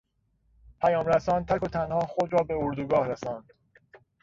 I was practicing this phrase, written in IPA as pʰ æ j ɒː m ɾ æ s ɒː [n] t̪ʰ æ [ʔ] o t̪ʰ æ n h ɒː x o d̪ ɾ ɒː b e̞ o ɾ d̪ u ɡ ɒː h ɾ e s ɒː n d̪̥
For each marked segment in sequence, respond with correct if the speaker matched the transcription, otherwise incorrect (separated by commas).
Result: correct, incorrect